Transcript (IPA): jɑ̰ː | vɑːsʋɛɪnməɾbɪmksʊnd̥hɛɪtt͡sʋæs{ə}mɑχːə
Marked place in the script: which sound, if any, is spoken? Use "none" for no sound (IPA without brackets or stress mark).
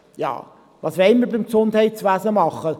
ə